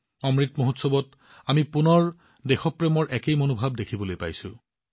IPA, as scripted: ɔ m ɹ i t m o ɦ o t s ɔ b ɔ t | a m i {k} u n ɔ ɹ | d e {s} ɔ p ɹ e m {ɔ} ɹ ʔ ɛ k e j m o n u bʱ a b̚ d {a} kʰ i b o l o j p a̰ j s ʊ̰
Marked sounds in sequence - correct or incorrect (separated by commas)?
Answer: incorrect, incorrect, correct, incorrect